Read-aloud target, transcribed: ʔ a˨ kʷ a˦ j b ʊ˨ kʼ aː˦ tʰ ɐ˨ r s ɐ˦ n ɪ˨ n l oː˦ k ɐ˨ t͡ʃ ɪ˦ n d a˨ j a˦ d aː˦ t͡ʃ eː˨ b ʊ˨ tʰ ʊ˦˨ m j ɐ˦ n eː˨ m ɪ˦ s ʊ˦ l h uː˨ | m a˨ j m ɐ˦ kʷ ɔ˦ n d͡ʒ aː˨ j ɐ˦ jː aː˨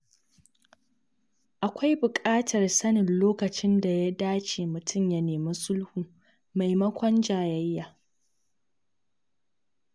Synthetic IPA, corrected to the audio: ʔ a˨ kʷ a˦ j b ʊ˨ kʼ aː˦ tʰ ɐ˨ r s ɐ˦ n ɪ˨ n l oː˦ k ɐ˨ t͡ʃ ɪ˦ n d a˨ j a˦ d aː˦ t͡ʃ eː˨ m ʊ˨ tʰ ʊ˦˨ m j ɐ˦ n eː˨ m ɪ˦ s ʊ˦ l h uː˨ | m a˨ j m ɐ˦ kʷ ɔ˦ n d͡ʒ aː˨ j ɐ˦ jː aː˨